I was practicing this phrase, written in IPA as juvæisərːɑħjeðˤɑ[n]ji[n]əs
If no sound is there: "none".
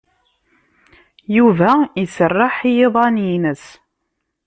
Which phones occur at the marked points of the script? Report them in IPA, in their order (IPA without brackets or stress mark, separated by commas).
n, n